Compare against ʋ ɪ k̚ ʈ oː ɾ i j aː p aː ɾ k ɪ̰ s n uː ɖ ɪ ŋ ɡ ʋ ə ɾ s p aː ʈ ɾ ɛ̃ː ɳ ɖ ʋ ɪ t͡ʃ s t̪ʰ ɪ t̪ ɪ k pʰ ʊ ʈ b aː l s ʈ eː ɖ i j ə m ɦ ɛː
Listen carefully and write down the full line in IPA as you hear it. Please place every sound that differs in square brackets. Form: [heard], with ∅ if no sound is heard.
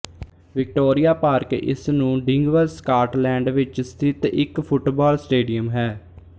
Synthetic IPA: ʋ ɪ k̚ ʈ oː ɾ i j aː p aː ɾ k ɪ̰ s n [ũː] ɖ ɪ ŋ ɡ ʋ ə ɾ s [k] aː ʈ [l] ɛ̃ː ɳ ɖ ʋ ɪ t͡ʃ s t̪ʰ ɪ t̪ ɪ k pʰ ʊ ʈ b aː l s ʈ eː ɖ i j ə m ɦ ɛː